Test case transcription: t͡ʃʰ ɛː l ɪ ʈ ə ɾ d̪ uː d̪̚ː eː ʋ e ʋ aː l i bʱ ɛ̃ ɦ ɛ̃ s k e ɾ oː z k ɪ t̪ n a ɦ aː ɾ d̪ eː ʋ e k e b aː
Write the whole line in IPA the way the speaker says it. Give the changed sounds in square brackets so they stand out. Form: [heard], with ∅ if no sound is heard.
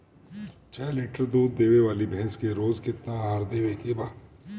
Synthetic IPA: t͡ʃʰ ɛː l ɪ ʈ ə ɾ d̪ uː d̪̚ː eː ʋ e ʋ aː l i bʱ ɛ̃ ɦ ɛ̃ s k e ɾ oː z k ɪ t̪ n a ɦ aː ɾ d̪ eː ʋ e k e b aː